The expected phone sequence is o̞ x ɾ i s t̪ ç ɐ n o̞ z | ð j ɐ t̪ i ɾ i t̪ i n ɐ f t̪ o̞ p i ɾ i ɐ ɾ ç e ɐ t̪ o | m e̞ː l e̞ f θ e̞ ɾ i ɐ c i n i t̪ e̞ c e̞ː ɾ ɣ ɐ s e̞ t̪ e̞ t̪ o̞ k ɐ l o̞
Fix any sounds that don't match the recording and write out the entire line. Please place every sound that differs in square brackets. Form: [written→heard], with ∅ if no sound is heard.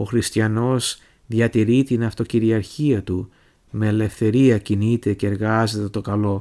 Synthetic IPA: o̞ x ɾ i s t̪ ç ɐ n o̞ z | ð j ɐ t̪ i ɾ i t̪ i n ɐ f t̪ o̞ [p→c] i ɾ i ɐ ɾ ç [e→i] ɐ t̪ [o→u] | m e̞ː l e̞ f θ e̞ ɾ i ɐ c i n i t̪ e̞ c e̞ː ɾ ɣ ɐ [s→z] e̞ t̪ e̞ t̪ o̞ k ɐ l o̞